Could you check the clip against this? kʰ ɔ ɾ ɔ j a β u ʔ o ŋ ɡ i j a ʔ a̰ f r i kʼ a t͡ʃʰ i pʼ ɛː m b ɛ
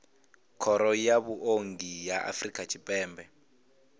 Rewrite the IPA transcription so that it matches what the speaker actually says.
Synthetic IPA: kʰ ɔ ɾ ɔ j a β u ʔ o ŋ ɡ i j a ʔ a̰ f r i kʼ a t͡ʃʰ i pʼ ɛː m b ɛ